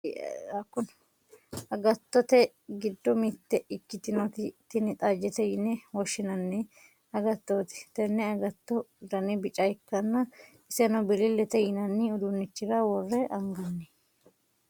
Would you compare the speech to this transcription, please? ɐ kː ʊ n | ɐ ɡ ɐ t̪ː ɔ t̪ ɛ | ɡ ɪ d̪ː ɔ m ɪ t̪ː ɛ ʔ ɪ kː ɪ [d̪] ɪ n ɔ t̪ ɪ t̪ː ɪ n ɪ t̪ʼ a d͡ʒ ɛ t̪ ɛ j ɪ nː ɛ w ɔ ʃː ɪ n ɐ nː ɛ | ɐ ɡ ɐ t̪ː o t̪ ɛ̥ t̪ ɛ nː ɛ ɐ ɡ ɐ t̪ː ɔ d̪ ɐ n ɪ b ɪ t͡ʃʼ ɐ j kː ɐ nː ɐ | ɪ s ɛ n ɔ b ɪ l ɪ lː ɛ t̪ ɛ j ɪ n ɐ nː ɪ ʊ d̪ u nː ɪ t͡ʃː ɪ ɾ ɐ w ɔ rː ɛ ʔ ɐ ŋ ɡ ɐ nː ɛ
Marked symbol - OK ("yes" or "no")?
no